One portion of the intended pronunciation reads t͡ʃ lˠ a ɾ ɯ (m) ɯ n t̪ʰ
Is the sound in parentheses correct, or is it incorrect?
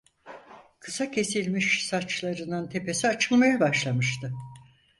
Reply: incorrect